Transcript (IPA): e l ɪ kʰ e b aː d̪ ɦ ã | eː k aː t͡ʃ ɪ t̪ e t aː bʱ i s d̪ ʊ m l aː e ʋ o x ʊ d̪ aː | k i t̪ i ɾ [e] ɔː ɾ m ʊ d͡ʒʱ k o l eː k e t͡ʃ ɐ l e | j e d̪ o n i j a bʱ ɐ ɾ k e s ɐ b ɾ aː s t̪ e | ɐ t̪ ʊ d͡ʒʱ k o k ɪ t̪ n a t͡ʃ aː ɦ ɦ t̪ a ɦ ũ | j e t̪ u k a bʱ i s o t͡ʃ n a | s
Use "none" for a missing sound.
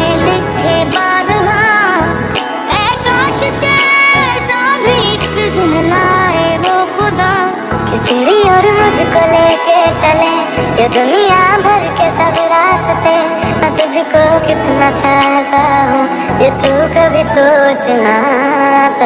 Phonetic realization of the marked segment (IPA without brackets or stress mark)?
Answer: i